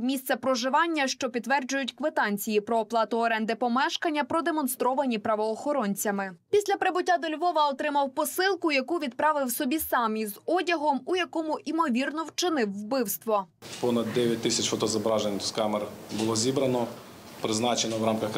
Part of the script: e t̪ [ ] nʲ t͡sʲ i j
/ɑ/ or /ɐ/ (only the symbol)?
ɑ